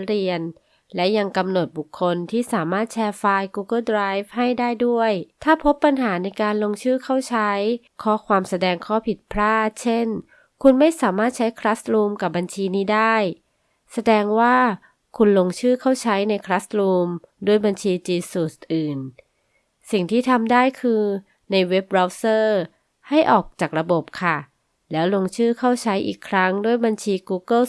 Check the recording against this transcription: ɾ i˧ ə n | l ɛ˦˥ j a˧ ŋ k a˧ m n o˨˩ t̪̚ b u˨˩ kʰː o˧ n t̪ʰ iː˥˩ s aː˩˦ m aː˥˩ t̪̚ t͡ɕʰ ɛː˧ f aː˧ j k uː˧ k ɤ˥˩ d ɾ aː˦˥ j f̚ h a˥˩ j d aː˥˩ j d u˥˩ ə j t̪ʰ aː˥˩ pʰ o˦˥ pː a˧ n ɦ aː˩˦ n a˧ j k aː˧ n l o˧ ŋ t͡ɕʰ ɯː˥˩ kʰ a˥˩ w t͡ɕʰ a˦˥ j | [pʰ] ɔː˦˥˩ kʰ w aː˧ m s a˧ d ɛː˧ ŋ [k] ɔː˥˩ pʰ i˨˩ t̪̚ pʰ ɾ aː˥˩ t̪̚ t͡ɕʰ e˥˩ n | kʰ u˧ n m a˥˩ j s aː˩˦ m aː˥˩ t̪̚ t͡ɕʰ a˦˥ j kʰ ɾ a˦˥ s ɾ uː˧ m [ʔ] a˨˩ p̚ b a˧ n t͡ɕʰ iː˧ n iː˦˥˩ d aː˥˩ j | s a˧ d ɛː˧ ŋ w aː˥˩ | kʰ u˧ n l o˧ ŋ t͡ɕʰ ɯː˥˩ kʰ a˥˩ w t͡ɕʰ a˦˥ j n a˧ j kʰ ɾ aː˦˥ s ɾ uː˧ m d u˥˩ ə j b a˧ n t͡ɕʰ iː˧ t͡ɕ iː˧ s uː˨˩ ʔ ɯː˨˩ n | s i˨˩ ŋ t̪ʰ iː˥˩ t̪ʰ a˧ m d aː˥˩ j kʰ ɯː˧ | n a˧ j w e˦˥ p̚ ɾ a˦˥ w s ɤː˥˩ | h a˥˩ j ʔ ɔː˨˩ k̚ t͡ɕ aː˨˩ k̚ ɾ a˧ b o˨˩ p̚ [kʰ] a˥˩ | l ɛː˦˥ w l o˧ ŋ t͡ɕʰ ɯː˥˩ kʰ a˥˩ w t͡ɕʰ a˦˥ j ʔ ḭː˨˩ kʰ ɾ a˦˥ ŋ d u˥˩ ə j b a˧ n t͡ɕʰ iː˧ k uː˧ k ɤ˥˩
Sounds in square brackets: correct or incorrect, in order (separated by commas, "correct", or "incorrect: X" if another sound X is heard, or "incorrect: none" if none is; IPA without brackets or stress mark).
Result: incorrect: kʰ, incorrect: kʰ, incorrect: k, correct